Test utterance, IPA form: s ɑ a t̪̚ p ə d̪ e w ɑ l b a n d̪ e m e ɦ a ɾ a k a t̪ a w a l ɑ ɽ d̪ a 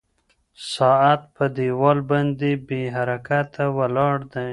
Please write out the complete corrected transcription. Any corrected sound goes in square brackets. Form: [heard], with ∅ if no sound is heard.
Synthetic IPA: s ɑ a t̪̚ p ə d̪ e w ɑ l b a n d̪ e [b] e ɦ a ɾ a k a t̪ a w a l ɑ ɽ d̪ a